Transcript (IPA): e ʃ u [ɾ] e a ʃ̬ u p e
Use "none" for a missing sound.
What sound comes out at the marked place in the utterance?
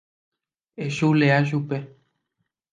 l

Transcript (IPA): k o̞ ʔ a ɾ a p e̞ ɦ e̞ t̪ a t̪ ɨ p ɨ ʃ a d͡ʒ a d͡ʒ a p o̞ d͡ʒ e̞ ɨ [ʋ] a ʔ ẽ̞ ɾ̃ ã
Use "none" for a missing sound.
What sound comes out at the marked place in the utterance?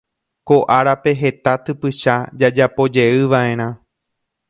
ʋ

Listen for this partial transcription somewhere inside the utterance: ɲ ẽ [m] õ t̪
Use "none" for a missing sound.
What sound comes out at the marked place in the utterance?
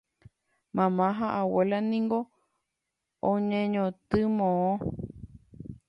ɲ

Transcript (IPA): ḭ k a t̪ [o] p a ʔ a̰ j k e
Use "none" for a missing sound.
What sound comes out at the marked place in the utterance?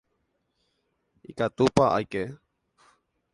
u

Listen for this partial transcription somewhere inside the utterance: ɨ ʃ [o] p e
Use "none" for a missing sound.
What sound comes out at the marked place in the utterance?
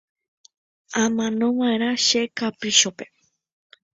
o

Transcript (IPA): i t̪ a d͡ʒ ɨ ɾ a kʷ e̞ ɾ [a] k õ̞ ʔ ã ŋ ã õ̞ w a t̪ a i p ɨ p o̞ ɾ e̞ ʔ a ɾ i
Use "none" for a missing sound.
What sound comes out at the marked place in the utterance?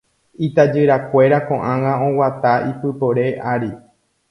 a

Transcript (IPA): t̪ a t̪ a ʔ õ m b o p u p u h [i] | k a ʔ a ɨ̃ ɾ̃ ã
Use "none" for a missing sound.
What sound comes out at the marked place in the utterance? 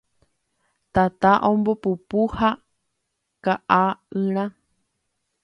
a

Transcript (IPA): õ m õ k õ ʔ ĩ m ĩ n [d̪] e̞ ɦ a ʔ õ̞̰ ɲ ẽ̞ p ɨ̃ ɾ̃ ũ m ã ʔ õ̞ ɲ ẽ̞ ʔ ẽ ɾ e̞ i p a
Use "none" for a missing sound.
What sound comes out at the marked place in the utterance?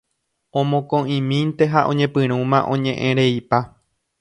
t̪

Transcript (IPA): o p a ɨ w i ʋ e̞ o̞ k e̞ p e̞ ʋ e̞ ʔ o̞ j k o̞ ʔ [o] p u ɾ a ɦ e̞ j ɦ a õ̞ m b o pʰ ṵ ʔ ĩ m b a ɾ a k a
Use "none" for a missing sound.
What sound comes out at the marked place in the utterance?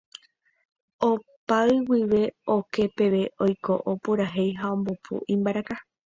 o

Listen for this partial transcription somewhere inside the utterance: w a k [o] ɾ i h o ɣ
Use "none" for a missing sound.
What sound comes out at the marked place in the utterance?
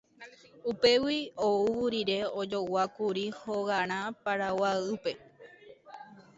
u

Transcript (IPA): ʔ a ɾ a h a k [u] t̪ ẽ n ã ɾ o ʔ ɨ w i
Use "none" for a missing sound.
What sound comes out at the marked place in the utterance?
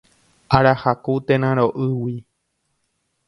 u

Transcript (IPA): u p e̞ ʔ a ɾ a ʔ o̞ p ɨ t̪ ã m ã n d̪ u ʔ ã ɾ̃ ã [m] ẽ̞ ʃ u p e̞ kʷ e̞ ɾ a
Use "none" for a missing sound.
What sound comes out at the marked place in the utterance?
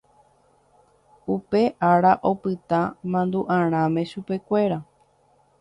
m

